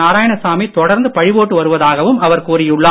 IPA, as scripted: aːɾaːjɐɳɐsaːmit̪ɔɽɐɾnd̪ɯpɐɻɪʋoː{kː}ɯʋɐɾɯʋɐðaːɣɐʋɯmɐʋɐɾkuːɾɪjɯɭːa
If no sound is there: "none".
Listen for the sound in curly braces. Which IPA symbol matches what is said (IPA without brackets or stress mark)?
ʈː